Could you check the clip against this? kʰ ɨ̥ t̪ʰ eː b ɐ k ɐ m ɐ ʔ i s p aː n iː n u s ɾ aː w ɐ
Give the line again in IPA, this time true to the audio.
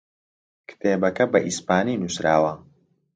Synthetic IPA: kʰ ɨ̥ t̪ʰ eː b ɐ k ɐ b ɐ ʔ i s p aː n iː n u s ɾ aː w ɐ